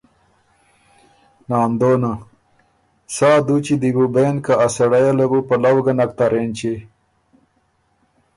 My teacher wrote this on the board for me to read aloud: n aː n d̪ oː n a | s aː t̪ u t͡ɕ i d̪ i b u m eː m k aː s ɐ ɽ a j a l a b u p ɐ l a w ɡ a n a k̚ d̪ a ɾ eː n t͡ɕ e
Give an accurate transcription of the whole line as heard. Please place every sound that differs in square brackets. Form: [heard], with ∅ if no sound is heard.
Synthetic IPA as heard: n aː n d̪ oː n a | s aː [d̪] u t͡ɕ i d̪ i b u [b] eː [n] k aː s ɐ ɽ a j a l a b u p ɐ l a w ɡ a n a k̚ [t̪] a ɾ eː n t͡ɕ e